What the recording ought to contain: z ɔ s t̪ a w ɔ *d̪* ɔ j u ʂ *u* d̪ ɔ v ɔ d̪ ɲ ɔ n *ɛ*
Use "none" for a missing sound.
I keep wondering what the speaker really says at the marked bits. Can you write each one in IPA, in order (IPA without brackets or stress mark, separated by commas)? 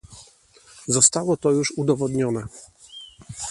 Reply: t̪, u, ɛ